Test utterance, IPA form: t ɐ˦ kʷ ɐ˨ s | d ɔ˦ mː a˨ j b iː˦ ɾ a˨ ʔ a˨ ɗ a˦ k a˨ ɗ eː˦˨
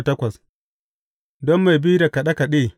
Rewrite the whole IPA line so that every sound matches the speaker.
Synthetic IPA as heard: t ɐ˦ kʷ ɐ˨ s | d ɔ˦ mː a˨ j b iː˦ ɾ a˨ k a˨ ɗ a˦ k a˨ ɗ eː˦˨